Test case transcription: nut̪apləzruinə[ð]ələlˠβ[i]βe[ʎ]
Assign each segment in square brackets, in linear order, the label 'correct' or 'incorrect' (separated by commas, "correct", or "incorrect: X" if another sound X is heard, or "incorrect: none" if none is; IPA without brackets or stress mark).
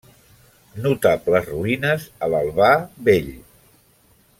incorrect: z, incorrect: a, correct